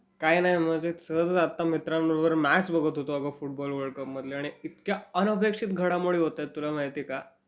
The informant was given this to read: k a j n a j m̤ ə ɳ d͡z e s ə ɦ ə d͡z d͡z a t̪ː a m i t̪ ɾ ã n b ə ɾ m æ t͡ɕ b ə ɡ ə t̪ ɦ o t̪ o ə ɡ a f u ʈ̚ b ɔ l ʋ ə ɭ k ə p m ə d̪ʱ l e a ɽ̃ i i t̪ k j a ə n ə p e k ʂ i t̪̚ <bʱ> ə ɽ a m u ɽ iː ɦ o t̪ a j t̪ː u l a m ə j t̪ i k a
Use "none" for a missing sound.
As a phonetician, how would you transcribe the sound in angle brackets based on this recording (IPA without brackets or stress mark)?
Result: ɡʱ